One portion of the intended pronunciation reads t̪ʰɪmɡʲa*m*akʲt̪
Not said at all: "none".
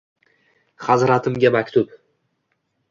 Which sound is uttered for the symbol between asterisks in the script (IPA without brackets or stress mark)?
m